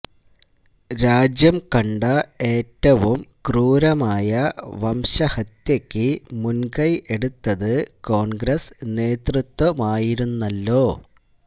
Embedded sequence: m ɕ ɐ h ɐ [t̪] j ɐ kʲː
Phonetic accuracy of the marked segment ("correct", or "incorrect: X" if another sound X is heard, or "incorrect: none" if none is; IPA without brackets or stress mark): correct